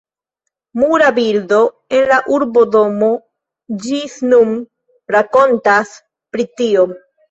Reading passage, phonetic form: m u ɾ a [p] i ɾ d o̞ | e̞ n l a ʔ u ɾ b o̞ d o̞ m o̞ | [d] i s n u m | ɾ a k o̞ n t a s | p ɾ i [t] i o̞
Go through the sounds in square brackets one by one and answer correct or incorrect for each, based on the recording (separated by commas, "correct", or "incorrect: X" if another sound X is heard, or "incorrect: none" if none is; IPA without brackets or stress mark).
incorrect: b, incorrect: d͡ʒ, correct